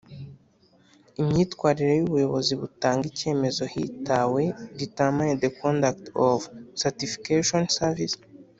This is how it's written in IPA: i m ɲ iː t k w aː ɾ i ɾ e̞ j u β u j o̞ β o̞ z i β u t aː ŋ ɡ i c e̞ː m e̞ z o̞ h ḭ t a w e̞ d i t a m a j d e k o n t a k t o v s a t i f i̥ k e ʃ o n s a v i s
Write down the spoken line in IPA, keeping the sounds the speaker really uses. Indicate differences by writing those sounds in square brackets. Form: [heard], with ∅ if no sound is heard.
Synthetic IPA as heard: i m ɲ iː t k w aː ɾ i ɾ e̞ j u β u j o̞ β o̞ z i β u t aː ŋ ɡ i c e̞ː m e̞ z o̞ h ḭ t a w e̞ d i t a m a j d e k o n [d] a k t o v s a t i f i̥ k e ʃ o n s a v i s